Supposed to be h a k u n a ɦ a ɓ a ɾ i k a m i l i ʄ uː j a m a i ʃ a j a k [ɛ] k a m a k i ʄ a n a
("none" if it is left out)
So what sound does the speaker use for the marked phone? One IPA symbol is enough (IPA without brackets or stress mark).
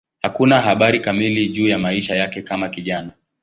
ɛ